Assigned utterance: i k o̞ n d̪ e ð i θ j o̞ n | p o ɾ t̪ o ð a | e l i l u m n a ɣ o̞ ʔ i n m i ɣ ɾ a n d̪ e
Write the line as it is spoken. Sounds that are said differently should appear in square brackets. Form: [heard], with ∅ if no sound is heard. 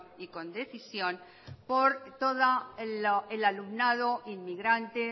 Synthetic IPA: i k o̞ n d̪ e [θ] i [s] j o̞ n | p o ɾ t̪ o ð a | e l [a] l u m n a [ð] o̞ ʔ i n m i ɣ ɾ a n [t̪] e